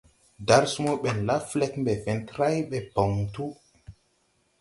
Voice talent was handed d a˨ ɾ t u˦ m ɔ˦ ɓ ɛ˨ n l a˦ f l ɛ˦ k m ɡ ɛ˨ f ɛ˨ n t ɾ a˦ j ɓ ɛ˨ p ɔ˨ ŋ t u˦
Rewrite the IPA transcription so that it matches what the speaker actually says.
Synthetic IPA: d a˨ ɾ s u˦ m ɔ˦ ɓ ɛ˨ n l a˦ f l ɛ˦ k m b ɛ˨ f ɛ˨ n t ɾ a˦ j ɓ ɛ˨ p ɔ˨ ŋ t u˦